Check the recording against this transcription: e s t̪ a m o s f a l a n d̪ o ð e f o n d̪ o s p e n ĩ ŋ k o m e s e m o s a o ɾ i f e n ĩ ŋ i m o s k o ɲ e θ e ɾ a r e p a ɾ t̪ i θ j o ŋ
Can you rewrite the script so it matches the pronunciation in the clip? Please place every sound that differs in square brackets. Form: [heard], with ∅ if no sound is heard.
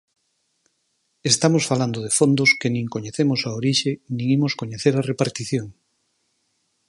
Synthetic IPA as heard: e s t̪ a m o s f a l a n d̪ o ð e f o n d̪ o s [k] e n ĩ ŋ k o [ɲ] e [θ] e m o s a o ɾ i [ʃ] e n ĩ ŋ i m o s k o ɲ e θ e ɾ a r e p a ɾ t̪ i θ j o ŋ